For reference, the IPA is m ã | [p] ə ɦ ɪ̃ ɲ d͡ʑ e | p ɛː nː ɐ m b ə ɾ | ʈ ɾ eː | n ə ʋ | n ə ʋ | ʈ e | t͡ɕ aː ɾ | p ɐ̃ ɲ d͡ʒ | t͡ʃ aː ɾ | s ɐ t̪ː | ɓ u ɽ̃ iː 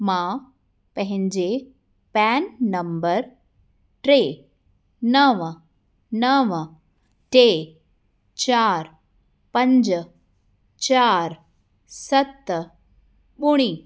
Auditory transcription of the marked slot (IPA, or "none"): p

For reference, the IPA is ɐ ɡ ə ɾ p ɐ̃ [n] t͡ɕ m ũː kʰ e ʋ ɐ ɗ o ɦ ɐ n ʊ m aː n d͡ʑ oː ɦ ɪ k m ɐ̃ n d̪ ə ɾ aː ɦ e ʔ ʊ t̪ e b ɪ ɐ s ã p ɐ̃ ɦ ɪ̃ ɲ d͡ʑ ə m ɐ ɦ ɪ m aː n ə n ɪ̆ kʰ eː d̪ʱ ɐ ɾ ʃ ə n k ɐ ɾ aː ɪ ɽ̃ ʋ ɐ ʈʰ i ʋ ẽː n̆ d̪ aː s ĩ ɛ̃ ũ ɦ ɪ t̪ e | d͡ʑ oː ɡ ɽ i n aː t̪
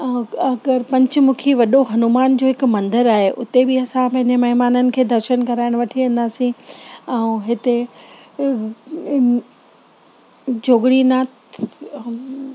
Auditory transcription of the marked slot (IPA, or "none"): ɲ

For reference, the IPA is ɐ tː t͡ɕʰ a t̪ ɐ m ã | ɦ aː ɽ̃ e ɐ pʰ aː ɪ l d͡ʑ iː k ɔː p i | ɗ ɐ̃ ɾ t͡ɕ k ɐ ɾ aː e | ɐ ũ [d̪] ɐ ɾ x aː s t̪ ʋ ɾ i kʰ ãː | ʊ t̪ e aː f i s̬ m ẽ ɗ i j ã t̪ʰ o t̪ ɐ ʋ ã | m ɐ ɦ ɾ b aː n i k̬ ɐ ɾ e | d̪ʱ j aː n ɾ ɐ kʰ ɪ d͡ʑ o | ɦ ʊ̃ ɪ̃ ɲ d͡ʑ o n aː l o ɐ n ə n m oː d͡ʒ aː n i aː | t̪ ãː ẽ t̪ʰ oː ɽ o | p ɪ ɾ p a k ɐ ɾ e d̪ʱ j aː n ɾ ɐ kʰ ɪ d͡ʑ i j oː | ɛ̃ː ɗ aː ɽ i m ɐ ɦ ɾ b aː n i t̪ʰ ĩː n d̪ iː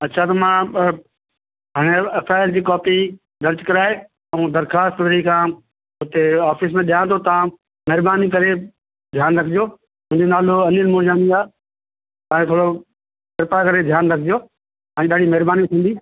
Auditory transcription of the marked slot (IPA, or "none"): d̪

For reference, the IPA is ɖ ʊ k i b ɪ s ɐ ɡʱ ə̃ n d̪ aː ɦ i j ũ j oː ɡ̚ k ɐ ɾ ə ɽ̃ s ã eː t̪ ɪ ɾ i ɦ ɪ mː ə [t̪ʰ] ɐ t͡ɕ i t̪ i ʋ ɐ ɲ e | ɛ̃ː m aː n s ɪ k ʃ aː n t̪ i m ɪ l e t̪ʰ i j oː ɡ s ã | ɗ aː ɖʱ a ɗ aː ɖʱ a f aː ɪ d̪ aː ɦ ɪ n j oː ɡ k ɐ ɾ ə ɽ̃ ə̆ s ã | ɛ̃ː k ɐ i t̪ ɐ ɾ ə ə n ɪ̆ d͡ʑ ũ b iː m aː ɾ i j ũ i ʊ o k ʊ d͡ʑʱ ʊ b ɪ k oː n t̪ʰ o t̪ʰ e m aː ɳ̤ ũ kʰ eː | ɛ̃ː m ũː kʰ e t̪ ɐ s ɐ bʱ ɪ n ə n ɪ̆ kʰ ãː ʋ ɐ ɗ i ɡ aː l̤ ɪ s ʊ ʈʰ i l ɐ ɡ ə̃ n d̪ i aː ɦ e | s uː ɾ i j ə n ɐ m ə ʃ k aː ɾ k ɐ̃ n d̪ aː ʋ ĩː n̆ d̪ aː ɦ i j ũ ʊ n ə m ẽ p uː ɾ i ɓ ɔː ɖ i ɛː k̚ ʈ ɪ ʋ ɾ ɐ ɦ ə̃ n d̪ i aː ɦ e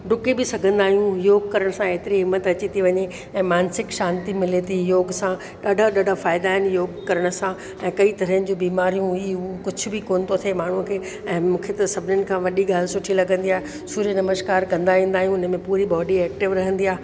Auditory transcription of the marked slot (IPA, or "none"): t̪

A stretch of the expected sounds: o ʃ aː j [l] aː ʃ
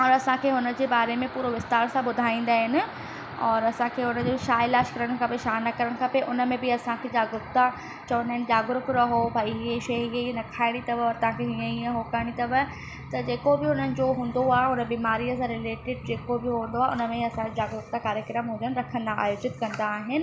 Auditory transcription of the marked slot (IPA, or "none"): l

